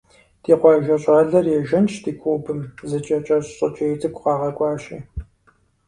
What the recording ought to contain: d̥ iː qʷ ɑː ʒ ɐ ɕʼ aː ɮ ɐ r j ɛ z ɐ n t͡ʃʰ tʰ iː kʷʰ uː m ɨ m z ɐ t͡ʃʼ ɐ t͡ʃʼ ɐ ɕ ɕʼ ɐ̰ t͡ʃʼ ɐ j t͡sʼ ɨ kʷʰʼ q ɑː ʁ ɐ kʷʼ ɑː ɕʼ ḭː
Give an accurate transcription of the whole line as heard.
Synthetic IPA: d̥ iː qʷ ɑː ʒ ɐ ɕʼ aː ɮ ɐ r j ɛ ʒ ɐ n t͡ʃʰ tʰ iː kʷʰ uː b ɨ m z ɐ t͡ʃʼ ɐ t͡ʃʼ ɐ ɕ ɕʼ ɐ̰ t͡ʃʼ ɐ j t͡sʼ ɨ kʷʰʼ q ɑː ʁ ɐ kʷʼ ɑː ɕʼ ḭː